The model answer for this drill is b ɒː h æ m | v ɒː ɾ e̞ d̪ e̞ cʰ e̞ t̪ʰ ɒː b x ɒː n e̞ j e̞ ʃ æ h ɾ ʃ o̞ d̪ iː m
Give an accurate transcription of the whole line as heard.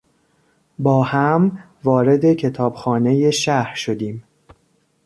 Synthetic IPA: b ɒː h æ m | v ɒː ɾ e̞ d̪ e̞ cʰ e̞ t̪ʰ ɒː b x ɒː n e̞ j e̞ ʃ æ h ɾ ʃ o̞ d̪ iː m